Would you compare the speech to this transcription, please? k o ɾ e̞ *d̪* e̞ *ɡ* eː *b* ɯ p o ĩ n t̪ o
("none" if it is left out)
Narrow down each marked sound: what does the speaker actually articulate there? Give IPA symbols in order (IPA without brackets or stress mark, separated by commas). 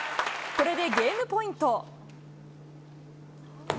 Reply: d̪, ɡ, m